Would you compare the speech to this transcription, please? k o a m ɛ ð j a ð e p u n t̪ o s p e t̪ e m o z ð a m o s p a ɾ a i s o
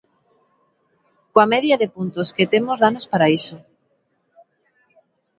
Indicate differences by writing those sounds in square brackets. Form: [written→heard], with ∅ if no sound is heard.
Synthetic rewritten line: k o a m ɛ ð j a ð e p u n t̪ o s [p→k] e t̪ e m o z ð a [m→n] o s p a ɾ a i s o